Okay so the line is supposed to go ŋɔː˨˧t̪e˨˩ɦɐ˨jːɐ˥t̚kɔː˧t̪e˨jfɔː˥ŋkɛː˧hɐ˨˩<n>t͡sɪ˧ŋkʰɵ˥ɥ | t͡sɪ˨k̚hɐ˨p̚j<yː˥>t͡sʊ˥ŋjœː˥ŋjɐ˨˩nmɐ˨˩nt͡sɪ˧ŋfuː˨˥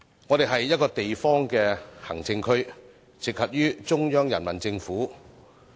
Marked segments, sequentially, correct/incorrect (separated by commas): incorrect, correct